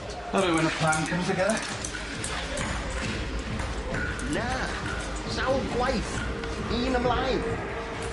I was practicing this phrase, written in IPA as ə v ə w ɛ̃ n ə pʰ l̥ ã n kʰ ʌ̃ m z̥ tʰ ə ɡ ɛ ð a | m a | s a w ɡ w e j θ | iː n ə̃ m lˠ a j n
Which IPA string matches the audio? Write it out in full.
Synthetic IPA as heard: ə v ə w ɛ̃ n ə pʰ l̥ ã n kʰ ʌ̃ m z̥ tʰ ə ɡ ɛ ð ə | n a | s a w ɡ w a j θ | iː n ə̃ m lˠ a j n